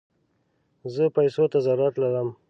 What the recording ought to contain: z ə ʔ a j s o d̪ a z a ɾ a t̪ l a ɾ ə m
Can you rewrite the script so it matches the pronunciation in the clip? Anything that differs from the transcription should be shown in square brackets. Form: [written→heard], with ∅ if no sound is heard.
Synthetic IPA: z ə [ʔ→p] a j s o [d̪→t̪] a z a ɾ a t̪ l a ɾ ə m